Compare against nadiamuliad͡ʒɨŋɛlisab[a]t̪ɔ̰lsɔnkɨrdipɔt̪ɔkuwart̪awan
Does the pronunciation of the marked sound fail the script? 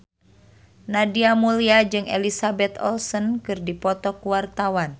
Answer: yes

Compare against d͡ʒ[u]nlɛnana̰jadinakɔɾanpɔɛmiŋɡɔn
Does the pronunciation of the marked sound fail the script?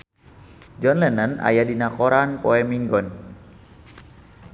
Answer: yes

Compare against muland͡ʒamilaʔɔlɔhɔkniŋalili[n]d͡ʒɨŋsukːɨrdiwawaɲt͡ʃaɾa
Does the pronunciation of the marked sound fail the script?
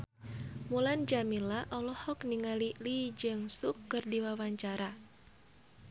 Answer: yes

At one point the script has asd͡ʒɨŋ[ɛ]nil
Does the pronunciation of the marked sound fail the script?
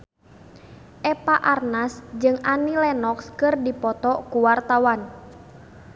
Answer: yes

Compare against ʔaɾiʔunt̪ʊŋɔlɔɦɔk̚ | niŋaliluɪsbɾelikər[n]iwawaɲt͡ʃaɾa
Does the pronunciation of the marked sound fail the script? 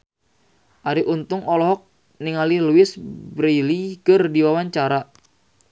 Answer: yes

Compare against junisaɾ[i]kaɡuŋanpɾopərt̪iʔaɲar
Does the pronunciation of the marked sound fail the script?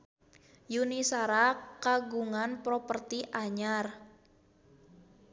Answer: yes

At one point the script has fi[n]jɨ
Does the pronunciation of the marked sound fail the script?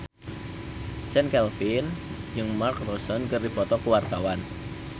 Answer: no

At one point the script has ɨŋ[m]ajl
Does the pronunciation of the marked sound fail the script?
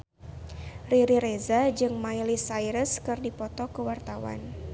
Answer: no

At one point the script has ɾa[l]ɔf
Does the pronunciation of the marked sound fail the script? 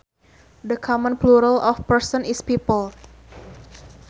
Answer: no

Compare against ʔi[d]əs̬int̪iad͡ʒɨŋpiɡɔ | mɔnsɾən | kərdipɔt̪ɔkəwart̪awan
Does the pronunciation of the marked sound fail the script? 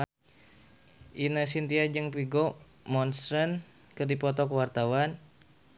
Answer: yes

